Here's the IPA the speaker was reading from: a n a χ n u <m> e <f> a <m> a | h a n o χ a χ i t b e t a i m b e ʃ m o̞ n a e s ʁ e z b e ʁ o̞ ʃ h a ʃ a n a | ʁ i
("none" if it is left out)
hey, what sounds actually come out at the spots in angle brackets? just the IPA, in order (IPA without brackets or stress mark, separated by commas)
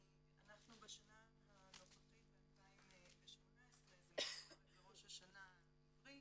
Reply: b, ʃ, n